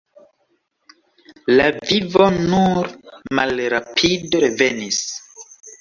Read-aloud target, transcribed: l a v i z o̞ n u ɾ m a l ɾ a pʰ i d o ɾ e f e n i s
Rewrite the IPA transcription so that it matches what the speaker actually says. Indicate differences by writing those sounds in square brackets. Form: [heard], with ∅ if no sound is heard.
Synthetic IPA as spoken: l a v i [v] o̞ n u ɾ m a l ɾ a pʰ i d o ɾ e [v] e n i s